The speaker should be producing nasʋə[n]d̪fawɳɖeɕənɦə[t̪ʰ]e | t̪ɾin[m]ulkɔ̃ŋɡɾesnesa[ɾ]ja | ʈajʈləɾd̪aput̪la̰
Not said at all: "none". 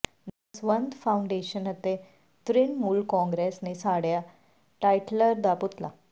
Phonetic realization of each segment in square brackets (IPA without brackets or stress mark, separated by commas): n, t̪, m, ɽ